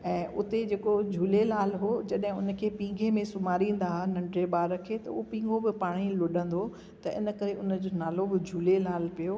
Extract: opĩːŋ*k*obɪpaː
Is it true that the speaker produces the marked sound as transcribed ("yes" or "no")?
no